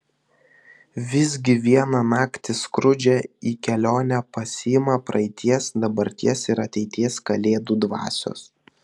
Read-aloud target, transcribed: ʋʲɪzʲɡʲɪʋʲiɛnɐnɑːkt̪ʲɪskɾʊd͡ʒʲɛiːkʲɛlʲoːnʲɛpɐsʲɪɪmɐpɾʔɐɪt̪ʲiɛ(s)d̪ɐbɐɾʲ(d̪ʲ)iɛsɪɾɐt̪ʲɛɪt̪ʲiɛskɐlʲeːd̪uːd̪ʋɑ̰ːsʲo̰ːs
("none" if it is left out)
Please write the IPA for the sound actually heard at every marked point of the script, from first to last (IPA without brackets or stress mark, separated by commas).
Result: s, t̪ʲ